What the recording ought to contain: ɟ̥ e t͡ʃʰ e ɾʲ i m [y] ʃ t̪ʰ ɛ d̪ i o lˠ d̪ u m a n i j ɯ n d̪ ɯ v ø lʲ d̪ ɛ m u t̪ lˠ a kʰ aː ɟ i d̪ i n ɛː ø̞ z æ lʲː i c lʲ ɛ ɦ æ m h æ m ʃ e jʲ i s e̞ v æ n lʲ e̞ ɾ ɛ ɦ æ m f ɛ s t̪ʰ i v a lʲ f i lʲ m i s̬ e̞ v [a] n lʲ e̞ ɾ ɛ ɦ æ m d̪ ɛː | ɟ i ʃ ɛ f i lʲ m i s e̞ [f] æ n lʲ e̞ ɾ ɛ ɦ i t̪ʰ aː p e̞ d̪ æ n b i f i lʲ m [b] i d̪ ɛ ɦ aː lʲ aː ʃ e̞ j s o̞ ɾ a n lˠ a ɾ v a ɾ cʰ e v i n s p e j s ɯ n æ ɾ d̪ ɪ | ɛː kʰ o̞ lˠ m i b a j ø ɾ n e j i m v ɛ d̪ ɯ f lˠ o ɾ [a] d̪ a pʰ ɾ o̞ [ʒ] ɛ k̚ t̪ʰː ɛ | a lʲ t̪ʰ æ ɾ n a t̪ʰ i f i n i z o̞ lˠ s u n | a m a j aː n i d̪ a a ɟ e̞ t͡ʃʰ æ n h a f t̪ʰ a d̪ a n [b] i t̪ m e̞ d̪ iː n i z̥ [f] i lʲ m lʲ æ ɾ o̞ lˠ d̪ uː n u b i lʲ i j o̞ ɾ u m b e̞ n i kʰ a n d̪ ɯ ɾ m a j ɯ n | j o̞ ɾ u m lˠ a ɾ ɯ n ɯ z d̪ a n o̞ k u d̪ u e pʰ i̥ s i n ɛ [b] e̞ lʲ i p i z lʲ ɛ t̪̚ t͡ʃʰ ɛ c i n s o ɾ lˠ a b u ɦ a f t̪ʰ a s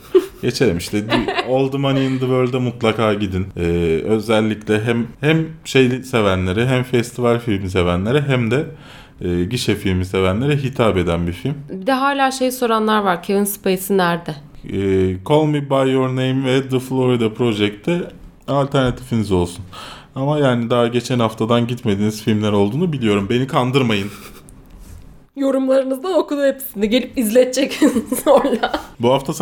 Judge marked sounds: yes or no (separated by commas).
no, no, no, yes, no, yes, no, yes, no